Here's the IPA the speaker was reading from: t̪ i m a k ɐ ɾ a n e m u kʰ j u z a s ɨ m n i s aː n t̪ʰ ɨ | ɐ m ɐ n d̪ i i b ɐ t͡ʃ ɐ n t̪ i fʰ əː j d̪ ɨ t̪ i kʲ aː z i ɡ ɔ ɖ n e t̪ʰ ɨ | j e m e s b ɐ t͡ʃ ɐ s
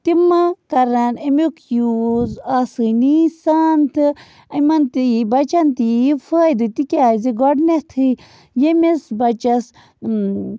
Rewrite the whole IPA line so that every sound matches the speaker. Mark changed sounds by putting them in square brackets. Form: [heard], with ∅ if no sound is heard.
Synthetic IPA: t̪ i m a k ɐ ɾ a n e m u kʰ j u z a s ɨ [∅] n i s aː n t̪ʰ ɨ | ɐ m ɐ n [t̪] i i b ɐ t͡ʃ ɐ n t̪ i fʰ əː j d̪ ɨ t̪ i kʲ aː z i ɡ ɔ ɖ n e t̪ʰ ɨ | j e m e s b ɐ t͡ʃ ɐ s